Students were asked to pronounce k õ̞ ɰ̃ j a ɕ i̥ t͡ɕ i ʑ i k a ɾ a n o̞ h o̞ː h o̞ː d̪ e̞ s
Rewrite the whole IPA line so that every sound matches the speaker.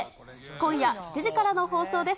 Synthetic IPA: k õ̞ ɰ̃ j a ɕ i̥ t͡ɕ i ʑ i k a ɾ a n o̞ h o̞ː s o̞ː d̪ e̞ s